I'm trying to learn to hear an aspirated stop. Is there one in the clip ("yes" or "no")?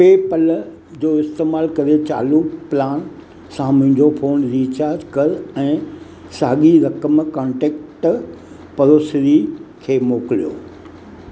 yes